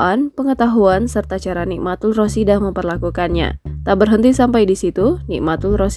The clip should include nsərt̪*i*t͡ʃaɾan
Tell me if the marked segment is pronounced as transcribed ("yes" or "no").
no